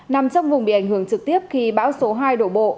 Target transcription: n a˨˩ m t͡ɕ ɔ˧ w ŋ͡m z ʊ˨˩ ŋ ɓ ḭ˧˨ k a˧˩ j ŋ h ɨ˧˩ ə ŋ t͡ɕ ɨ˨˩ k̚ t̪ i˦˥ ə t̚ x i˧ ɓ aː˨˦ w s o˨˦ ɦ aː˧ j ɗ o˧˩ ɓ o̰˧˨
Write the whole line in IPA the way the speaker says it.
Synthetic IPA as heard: n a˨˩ m t͡ɕ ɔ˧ w ŋ͡m v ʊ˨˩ ŋ͡m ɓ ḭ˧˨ ʔ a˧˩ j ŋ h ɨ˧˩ ə ŋ t͡ɕ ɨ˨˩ k̚ t̪ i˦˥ ə p̚ x i˧ ɓ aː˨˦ w s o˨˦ ɦ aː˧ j ɗ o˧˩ ɓ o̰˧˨